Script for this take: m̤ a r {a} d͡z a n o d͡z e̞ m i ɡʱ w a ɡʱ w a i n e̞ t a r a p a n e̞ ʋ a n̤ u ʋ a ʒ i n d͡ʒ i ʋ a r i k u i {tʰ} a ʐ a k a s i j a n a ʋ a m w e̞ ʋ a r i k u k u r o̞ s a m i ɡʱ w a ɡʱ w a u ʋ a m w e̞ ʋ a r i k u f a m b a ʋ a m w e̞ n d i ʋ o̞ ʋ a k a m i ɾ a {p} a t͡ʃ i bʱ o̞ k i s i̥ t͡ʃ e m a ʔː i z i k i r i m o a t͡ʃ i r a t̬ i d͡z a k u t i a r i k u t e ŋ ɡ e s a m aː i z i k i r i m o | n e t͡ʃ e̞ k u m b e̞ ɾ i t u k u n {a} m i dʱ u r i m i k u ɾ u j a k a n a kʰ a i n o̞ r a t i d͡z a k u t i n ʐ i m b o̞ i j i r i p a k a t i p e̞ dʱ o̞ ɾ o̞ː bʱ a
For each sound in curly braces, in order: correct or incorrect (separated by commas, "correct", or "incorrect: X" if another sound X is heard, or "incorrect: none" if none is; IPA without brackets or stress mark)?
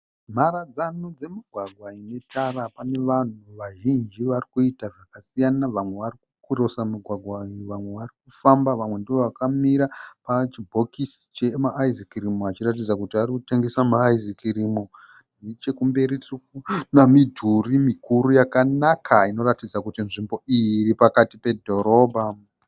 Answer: correct, incorrect: t, correct, correct